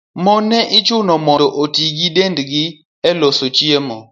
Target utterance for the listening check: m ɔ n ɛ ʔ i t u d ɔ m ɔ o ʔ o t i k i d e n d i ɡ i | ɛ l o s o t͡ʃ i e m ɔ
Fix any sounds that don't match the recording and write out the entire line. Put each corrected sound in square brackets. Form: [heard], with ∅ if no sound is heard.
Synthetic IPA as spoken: m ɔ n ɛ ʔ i [t͡ʃ] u [n] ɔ m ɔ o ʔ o t i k i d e n d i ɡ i | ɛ l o s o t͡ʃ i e m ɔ